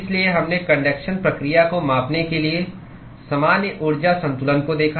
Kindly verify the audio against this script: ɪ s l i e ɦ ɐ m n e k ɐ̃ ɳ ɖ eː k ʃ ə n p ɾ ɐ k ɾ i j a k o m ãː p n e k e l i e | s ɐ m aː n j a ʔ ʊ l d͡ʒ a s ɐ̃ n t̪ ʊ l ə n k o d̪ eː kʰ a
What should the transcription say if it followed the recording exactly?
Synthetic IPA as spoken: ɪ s l i e ɦ ɐ m n e k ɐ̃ ɳ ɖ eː k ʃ ə n p ɾ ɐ k ɾ i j a k o m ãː p n e k e l i e | s ɐ m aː n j ə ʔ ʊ ɾ d͡ʒ a s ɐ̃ n t̪ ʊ l ə n k o d̪ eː kʰ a